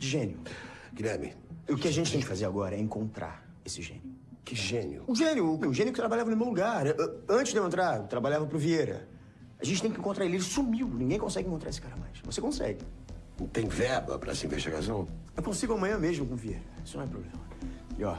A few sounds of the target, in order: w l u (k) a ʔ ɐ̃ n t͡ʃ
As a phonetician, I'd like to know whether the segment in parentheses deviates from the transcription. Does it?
yes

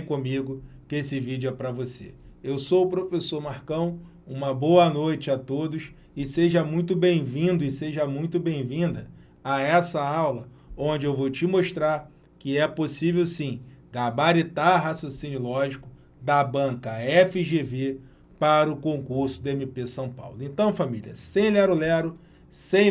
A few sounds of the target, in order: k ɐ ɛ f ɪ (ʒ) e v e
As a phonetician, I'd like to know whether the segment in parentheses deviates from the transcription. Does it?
no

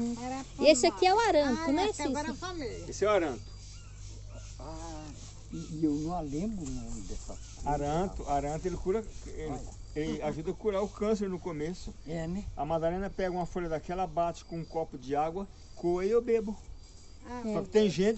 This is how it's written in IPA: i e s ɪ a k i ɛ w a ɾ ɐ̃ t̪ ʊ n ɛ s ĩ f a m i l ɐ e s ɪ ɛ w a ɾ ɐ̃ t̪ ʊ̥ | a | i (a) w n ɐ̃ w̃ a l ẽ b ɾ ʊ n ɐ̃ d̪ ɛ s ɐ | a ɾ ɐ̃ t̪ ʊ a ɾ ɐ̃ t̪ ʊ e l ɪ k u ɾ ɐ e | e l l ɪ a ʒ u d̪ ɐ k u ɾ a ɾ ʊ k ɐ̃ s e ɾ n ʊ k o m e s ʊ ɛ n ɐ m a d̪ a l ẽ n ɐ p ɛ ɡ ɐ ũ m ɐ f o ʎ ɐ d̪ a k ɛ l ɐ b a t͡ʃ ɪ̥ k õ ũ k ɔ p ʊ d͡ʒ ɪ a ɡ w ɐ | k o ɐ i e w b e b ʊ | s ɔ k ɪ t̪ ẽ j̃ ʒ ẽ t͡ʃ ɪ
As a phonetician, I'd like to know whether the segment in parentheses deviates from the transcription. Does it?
yes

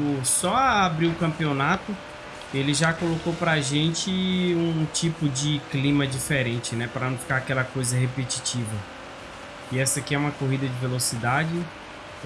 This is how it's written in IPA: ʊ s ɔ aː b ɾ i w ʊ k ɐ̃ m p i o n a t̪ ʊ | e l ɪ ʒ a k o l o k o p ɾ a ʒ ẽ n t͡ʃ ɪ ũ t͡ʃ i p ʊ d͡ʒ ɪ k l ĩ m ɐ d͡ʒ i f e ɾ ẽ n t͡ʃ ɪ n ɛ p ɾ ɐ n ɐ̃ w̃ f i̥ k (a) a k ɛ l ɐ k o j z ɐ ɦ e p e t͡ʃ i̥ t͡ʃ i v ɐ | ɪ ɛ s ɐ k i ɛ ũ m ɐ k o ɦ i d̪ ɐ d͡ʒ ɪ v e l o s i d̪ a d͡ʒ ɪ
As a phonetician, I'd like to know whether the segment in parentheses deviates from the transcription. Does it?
no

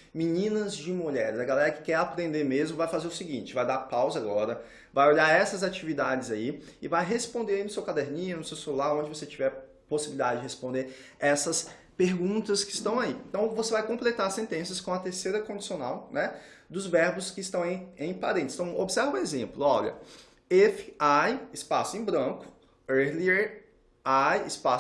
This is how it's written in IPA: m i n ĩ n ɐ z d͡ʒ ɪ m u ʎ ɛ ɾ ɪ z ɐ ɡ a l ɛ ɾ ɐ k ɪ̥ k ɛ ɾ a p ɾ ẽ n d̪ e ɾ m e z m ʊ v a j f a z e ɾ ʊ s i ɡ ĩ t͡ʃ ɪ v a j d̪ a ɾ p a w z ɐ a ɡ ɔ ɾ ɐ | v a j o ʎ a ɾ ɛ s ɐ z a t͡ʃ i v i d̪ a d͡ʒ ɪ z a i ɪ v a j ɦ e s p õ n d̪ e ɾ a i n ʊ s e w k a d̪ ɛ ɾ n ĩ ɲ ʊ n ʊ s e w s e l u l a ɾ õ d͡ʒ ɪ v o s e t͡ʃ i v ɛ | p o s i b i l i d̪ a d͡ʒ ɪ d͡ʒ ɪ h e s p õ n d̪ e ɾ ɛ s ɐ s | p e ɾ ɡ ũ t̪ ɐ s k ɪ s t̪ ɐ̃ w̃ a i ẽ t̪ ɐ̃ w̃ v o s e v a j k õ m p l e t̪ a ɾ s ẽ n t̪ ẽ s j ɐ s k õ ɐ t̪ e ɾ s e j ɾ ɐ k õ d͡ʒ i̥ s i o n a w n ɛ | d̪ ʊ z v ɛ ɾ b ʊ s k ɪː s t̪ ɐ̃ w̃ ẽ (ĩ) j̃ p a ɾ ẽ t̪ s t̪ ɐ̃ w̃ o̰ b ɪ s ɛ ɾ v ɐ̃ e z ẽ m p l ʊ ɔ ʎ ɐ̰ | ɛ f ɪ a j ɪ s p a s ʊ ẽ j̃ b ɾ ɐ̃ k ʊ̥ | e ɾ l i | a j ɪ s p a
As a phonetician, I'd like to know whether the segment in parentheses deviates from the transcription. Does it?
yes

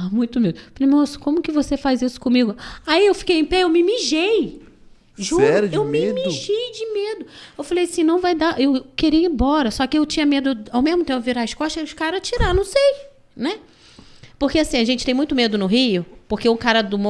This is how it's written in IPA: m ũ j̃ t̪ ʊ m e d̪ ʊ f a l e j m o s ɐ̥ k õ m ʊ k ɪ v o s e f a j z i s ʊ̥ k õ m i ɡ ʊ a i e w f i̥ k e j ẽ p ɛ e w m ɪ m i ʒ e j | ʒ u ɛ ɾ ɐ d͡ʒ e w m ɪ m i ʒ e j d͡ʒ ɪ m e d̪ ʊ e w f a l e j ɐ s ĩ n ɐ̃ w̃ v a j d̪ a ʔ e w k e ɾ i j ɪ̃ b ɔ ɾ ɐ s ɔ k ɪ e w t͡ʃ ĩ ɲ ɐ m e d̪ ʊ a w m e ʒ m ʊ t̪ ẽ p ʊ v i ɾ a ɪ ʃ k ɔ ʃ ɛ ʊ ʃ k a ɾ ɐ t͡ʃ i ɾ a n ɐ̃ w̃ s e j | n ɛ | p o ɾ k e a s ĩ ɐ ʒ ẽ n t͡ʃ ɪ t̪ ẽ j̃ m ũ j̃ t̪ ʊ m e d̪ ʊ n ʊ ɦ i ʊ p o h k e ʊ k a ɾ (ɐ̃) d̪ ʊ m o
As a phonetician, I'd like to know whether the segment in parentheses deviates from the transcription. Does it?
yes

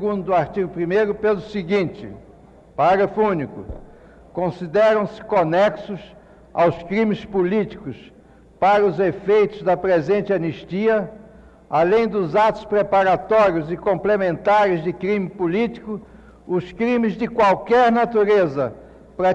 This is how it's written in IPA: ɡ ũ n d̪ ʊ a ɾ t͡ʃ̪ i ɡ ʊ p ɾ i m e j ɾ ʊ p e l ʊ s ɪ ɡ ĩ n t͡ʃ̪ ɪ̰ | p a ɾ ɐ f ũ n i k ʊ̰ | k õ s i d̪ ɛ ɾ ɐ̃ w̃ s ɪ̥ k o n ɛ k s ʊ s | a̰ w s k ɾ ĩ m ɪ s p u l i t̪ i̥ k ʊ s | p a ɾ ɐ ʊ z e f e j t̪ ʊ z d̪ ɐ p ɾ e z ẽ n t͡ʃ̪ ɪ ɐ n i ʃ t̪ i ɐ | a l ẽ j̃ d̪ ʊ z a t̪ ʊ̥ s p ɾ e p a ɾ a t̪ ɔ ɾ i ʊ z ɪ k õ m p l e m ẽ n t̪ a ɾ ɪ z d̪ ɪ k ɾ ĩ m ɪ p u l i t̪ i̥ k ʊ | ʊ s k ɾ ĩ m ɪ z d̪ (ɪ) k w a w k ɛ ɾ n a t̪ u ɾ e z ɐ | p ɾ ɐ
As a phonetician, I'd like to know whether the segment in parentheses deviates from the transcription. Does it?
no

